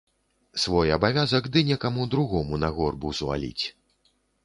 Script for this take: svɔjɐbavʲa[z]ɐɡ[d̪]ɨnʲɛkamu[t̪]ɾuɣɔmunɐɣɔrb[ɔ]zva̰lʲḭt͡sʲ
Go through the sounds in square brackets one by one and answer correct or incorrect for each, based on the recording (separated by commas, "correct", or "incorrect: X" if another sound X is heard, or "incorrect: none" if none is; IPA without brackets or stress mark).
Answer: correct, correct, incorrect: d̪, incorrect: u